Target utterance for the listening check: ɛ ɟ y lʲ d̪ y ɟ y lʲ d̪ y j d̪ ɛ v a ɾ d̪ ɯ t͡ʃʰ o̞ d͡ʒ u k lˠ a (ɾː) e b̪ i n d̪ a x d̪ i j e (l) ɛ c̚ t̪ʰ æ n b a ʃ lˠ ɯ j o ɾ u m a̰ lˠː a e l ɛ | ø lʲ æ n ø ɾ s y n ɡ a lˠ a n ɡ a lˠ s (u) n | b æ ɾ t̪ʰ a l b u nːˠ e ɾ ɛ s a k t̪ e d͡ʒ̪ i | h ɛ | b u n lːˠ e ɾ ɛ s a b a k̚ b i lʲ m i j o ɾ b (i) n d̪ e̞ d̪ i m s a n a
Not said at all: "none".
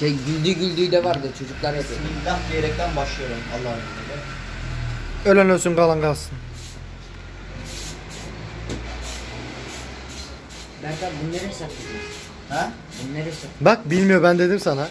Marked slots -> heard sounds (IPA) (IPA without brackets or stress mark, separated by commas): ɾ, ɾ, ɯ, æ